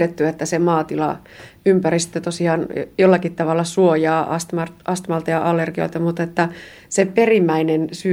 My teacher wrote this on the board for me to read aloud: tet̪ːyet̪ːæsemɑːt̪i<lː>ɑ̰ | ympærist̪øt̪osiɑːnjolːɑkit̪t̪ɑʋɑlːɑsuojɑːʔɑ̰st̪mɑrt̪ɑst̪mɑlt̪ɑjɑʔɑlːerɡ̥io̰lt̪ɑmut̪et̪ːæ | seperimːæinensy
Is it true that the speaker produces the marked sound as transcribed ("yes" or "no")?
no